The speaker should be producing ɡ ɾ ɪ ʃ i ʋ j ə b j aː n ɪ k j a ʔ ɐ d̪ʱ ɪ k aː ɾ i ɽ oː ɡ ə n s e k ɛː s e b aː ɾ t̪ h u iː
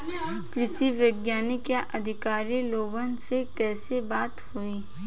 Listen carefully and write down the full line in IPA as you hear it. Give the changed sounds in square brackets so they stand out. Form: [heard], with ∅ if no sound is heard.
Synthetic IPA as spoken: [k] ɾ ɪ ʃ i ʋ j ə [ɡ] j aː n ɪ k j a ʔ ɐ d̪ʱ ɪ k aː ɾ i [l] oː ɡ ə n s e k ɛː s e b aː [∅] t̪ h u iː